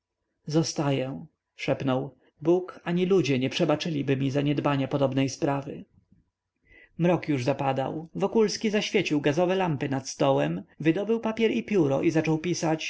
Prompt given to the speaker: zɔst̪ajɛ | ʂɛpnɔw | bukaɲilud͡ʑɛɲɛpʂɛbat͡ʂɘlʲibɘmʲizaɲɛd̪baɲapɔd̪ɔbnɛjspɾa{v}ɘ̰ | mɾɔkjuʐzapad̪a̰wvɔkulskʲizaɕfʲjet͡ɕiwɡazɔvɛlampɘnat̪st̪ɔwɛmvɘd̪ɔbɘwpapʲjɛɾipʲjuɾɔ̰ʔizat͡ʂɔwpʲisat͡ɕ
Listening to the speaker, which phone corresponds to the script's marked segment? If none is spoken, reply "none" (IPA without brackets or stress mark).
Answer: v